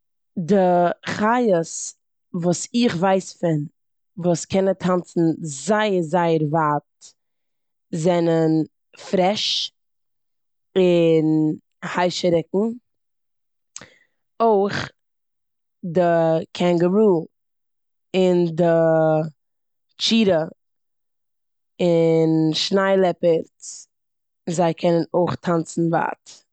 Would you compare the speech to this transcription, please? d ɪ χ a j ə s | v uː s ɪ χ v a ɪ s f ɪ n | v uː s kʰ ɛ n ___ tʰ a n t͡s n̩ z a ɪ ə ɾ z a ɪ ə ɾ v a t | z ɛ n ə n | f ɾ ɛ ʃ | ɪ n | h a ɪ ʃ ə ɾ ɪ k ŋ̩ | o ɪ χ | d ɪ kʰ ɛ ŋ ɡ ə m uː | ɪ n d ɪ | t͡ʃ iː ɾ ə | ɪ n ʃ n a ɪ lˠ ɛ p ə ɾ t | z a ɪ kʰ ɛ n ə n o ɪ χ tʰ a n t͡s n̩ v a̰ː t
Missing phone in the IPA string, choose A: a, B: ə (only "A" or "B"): B